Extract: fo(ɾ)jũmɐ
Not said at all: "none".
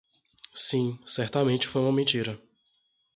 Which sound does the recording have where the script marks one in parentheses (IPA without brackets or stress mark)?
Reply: none